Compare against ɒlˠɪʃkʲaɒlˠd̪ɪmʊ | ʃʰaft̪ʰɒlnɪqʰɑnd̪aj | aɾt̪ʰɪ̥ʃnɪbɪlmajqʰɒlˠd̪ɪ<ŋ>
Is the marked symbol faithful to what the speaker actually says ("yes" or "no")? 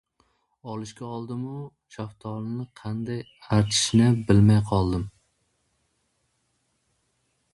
no